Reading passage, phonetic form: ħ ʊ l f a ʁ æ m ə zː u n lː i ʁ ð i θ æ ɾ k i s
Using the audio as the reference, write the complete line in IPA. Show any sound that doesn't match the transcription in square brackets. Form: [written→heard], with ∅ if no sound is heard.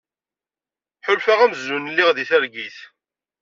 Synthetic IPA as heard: ħ ʊ l f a ʁ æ m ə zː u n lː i ʁ ð i θ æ ɾ [k→ɡ] i [s→θ]